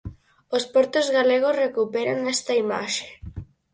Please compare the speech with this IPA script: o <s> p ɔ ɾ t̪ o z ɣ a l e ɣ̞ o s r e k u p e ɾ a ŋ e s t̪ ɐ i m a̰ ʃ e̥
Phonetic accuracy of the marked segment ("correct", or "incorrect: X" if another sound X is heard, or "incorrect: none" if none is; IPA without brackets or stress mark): correct